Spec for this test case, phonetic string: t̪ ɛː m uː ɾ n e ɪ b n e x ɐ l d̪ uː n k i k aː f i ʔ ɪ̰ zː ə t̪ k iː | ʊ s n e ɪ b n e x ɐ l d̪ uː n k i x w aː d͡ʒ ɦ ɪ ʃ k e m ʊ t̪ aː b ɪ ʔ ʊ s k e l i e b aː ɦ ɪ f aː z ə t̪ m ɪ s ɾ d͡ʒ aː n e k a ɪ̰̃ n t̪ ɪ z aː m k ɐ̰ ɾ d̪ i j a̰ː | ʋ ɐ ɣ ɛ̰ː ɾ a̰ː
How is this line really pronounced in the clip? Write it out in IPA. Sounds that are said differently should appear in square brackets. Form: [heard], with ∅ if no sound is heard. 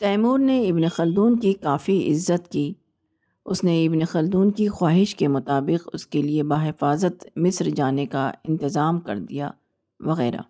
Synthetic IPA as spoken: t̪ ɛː m uː ɾ n e ɪ b n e x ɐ l d̪ uː n k i k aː f i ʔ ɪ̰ zː ə t̪ k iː | ʊ s n e ɪ b n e x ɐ l d̪ uː n k i x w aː [∅] ɦ ɪ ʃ k e m ʊ t̪ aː b ɪ [q] ʊ s k e l i e b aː ɦ ɪ f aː z ə t̪ m ɪ s ɾ d͡ʒ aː n e k a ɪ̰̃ n t̪ ɪ z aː m k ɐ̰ ɾ d̪ i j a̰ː | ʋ ɐ ɣ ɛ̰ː ɾ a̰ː